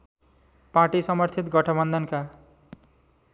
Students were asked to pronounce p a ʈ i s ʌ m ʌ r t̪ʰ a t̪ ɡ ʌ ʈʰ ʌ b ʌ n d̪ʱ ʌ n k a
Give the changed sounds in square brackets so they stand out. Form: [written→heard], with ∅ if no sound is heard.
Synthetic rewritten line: p a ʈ i s ʌ m ʌ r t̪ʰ [a→i] t̪ ɡ ʌ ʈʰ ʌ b ʌ n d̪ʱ ʌ n k a

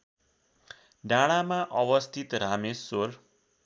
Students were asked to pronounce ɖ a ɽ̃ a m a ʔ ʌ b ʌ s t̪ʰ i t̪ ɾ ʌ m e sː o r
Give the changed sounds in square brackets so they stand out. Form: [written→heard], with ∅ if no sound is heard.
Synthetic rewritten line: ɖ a ɽ̃ a m a ʔ ʌ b ʌ s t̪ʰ i t̪ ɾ [ʌ→a] m e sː o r

